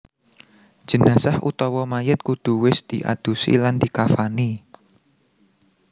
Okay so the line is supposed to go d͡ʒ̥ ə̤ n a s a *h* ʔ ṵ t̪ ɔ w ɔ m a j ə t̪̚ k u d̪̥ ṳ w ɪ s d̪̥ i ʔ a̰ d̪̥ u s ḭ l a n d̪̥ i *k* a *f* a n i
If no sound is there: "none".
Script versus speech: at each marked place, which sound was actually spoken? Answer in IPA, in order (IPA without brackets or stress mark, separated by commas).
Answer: h, k, f